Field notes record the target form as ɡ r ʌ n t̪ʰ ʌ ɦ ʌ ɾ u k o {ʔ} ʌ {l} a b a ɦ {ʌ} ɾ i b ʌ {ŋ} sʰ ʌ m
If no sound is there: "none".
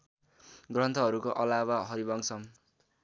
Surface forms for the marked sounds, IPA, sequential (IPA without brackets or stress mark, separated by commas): ʔ, l, ʌ, ŋ